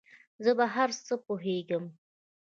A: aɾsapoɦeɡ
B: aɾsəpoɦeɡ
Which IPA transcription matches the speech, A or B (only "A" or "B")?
B